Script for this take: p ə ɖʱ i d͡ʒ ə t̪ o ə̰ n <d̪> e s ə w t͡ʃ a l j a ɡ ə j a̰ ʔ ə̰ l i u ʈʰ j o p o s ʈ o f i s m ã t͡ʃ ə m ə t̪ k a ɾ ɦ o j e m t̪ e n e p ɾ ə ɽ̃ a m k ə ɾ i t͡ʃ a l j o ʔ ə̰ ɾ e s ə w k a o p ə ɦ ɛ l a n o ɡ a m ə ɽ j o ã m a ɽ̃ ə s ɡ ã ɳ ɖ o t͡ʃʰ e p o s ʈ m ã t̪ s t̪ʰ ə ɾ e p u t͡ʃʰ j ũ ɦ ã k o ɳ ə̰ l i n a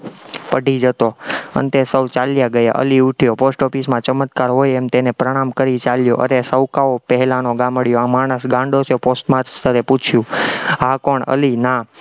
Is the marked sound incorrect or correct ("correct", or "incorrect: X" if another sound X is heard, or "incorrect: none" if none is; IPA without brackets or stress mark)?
incorrect: t̪